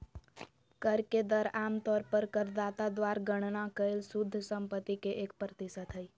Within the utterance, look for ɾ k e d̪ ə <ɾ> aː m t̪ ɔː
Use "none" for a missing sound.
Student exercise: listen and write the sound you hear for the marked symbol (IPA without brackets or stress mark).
ɾ